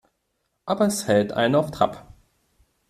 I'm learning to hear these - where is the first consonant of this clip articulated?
throat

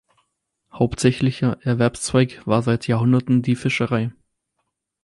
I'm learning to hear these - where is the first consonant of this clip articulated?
throat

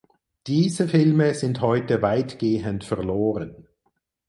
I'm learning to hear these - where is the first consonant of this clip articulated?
tongue tip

